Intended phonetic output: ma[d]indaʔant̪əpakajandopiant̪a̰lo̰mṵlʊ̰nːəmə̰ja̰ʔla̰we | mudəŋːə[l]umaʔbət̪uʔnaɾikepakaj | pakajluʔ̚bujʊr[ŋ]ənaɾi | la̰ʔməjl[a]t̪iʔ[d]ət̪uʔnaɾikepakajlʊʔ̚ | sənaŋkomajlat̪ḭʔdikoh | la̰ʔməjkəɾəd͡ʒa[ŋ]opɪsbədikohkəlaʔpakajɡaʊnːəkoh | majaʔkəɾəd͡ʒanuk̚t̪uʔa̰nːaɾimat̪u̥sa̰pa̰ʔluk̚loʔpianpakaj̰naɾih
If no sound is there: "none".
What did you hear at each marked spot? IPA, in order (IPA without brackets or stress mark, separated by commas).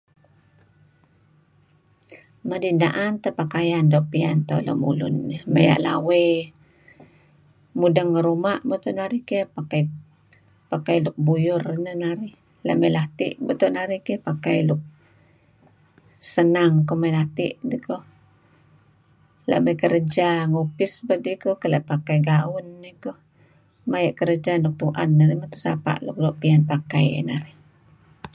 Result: d, ɾ, n, a, b, ŋ